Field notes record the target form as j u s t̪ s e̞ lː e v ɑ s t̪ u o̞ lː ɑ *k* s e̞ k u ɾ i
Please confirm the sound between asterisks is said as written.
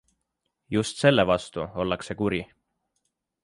yes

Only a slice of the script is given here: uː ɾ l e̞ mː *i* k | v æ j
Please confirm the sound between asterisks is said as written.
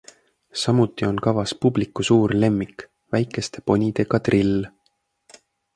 yes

